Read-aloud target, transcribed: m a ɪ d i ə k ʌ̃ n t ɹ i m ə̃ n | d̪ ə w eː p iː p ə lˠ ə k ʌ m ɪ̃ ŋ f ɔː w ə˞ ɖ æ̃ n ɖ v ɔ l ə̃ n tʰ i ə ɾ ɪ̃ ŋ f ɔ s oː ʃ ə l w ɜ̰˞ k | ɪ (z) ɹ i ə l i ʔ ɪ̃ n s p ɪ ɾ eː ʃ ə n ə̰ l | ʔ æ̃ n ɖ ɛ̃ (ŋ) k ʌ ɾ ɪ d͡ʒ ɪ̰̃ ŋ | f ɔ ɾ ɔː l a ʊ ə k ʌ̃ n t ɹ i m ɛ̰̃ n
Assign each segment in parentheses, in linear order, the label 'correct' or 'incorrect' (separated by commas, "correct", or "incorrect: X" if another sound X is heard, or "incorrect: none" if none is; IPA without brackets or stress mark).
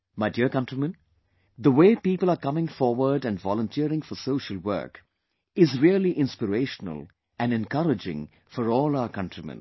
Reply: correct, incorrect: n